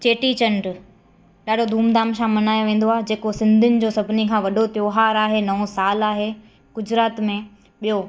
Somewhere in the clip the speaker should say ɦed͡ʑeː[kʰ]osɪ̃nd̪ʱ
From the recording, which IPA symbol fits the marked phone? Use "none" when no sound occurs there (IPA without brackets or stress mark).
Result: k